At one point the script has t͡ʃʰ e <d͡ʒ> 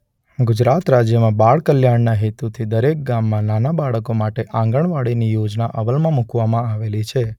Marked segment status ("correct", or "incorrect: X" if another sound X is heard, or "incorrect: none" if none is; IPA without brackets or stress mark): incorrect: none